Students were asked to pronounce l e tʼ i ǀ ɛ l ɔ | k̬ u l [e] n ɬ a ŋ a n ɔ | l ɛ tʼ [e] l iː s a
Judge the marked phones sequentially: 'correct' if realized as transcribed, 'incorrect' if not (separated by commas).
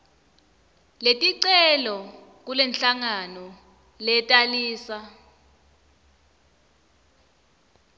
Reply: incorrect, incorrect